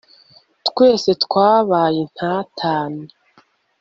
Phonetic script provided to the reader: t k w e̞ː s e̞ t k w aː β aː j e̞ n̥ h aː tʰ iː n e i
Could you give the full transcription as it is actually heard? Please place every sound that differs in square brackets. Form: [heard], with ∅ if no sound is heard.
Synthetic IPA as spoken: t k w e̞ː s e̞ t k w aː β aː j e̞ n̥ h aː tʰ [aː] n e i